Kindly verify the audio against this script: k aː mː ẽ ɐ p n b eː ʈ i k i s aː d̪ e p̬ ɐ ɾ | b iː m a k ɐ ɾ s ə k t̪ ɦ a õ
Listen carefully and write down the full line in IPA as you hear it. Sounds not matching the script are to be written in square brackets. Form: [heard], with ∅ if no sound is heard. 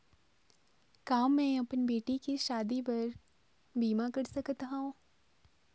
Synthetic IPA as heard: k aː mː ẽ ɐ p n b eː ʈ i k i [ʃ] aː d̪ [i] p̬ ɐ ɾ | b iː m a k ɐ ɾ s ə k t̪ ɦ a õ